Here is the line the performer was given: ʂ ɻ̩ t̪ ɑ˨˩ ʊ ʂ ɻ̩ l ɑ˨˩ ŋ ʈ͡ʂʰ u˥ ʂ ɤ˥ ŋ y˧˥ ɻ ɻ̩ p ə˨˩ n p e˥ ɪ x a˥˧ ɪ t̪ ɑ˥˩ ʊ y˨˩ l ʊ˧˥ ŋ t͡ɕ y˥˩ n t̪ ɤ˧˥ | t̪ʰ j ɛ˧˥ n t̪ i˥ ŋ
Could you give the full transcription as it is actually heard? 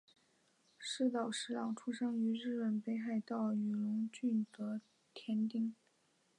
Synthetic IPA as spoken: ʂ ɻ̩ t̪ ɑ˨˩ ʊ ʂ ɻ̩ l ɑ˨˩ ŋ ʈ͡ʂʰ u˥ ʂ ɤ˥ ŋ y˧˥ ɻ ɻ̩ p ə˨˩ n p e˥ ɪ x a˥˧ ɪ t̪ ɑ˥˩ ʊ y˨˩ l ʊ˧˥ ŋ t͡ɕ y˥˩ n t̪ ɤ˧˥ | t̪ʰ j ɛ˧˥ n t̪ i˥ ŋ

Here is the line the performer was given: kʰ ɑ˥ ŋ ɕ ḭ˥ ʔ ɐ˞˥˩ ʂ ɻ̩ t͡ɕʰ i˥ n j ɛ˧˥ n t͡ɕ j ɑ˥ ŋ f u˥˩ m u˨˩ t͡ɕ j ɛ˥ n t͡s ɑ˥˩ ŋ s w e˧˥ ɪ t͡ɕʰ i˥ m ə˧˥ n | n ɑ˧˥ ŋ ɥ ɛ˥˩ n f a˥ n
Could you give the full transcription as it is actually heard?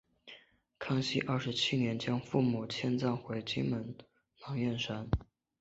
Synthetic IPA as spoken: kʰ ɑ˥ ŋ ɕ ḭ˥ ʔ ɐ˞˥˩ ʂ ɻ̩ t͡ɕʰ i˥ n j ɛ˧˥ n t͡ɕ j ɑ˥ ŋ f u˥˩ m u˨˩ t͡ɕʰ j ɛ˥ n t͡s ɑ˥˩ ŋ x w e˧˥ ɪ t͡ɕ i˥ m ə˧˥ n | n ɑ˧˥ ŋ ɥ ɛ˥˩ n ʂ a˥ n

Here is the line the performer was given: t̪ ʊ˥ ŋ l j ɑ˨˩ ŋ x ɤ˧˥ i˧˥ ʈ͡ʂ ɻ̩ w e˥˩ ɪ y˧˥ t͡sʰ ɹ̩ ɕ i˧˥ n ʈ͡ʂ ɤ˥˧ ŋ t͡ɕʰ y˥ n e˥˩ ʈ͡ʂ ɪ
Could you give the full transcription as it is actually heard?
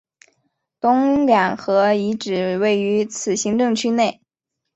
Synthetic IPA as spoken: t̪ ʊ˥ ŋ l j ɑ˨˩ ŋ x ɤ˧˥ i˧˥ ʈ͡ʂ ɻ̩ w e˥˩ ɪ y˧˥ t͡sʰ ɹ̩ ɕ i˧˥ ŋ ʈ͡ʂ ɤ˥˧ ŋ t͡ɕʰ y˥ n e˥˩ ɪ

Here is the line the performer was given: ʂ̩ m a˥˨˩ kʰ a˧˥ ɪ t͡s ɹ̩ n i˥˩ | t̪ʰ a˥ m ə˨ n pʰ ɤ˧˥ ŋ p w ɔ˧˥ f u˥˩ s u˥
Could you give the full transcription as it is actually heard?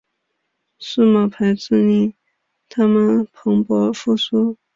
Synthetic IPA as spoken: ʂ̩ m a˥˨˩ pʰ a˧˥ ɪ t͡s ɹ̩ n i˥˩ | t̪ʰ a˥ m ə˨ n pʰ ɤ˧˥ ŋ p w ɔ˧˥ f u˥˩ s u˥

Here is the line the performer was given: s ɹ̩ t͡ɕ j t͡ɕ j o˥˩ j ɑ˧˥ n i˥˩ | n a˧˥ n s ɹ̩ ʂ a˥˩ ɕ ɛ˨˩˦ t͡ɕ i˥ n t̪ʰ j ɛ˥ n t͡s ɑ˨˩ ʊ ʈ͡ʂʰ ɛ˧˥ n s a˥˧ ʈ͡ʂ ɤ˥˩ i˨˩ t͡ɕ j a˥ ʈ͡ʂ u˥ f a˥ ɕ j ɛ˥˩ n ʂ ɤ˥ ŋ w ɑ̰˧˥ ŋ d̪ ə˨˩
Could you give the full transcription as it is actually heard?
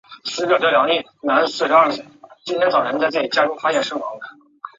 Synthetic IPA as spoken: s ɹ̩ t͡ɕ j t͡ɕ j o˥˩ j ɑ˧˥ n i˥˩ | n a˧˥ n s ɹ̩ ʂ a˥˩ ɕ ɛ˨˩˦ t͡ɕ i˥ n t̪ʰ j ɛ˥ n t͡s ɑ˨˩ ʊ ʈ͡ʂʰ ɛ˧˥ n t͡s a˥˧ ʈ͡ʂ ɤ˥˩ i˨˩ t͡ɕ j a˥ ʈ͡ʂ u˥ f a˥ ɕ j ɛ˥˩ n ʂ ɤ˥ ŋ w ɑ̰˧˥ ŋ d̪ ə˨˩

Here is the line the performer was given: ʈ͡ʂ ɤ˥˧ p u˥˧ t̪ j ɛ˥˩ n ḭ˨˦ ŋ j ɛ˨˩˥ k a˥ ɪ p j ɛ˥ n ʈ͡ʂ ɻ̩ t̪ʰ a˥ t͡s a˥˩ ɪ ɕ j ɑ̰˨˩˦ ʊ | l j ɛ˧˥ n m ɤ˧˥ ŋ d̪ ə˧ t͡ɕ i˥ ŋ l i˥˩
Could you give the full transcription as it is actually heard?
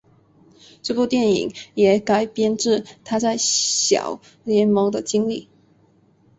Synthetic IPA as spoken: ʈ͡ʂ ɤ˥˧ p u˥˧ t̪ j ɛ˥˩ n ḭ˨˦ ŋ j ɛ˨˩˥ k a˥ ɪ p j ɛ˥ n ʈ͡ʂ ɻ̩ t̪ʰ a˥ t͡s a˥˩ ɪ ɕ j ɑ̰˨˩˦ ʊ | l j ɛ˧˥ n m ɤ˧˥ ŋ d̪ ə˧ t͡ɕ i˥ ŋ l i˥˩

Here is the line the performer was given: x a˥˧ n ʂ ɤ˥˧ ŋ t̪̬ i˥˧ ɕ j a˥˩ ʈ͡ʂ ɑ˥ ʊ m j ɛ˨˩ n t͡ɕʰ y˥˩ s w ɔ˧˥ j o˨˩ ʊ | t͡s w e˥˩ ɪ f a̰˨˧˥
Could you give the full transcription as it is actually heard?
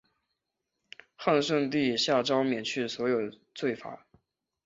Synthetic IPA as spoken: x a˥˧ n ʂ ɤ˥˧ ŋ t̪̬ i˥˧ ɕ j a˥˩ ʈ͡ʂ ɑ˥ ʊ m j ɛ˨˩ n t͡ɕʰ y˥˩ s w ɔ˧˥ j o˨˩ ʊ | t͡s w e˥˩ ɪ f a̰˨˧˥

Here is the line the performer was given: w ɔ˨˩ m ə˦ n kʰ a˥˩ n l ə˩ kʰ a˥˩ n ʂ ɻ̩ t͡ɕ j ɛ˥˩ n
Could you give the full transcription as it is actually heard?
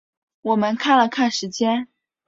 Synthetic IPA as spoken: w ɔ˨˩ m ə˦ n kʰ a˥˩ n l ə˩ kʰ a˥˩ n ʂ ɻ̩ t͡ɕ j ɛ˥ n

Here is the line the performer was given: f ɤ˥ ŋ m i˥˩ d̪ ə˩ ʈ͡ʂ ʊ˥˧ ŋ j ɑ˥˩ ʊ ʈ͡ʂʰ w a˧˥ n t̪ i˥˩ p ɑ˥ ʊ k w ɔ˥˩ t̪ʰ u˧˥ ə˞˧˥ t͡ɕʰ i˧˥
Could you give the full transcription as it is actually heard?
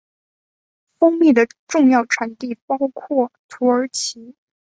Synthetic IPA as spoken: f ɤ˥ ŋ m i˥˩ d̪ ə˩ ʈ͡ʂ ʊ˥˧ ŋ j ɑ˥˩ ʊ ʈ͡ʂʰ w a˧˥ n t̪ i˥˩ p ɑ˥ ʊ kʰ w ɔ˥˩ t̪ʰ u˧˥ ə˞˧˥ t͡ɕʰ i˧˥

